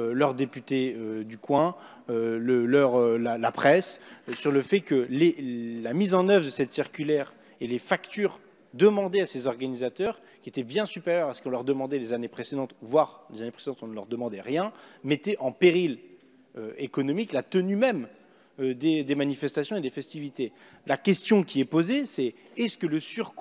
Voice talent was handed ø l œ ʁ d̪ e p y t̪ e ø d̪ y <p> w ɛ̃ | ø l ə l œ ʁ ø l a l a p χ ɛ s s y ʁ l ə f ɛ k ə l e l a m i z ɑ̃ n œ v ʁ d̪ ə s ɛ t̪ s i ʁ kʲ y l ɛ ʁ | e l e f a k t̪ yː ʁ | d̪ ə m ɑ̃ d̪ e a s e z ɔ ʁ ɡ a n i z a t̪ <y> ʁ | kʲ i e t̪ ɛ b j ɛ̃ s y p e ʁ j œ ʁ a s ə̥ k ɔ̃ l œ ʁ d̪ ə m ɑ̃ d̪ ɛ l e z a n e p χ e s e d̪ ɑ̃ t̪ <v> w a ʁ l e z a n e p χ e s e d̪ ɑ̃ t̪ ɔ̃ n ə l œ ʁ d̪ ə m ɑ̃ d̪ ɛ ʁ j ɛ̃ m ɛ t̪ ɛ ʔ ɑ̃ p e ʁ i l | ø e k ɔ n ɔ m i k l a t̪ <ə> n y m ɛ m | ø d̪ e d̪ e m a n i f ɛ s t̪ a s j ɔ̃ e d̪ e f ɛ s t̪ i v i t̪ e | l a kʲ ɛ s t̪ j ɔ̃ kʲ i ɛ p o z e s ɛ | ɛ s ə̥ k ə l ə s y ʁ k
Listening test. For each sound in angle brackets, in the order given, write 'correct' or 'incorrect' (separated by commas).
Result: incorrect, incorrect, correct, correct